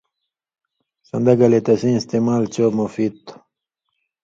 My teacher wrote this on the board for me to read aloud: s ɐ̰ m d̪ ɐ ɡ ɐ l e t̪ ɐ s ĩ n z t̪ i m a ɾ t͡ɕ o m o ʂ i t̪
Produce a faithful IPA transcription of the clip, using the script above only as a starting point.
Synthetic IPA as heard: s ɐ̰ n d̪ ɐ ɡ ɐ l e t̪ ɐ s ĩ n s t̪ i m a l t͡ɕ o m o f i t̪